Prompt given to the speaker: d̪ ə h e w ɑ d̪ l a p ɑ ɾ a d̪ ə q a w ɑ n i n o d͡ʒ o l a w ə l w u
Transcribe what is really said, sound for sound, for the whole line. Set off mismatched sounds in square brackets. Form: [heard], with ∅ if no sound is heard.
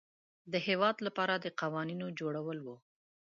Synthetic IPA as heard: d̪ ə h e w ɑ d̪ l a p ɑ ɾ a d̪ ə q a w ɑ n i n o d͡ʒ o [ɽ] a w ə l w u